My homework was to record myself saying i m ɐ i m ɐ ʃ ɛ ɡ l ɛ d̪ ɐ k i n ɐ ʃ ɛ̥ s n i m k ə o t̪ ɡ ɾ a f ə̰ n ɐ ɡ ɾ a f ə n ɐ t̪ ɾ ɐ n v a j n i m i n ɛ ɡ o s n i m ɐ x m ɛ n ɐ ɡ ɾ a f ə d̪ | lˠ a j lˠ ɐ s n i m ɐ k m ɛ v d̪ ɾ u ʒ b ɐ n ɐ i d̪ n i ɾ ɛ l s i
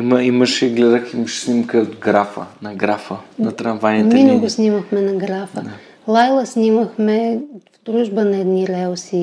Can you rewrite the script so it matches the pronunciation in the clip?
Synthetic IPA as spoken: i m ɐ i m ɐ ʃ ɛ ɡ l ɛ d̪ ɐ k i m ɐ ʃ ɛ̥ s n i m k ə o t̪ ɡ ɾ a f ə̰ n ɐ ɡ ɾ a f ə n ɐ t̪ ɾ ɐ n v a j n i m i n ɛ ɡ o s n i m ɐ x m ɛ n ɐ ɡ ɾ a f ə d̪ | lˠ a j lˠ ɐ s n i m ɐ x m ɛ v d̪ ɾ u ʒ b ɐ n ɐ ɛ d̪ n i ɾ ɛ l s i